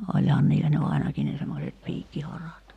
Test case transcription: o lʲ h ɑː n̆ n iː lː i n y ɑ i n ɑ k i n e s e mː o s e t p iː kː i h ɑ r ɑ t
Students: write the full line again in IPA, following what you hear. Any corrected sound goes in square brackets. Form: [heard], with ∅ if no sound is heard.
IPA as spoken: o lʲ h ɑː n̆ n iː lː [æ] n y ɑ i n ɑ k i n e s e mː o s e t p iː kː i h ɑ r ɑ t